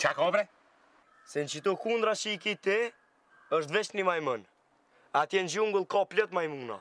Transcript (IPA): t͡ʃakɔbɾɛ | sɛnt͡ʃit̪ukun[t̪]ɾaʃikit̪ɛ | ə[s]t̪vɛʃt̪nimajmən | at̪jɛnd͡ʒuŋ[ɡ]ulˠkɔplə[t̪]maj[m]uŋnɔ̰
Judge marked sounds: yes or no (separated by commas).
no, no, yes, yes, yes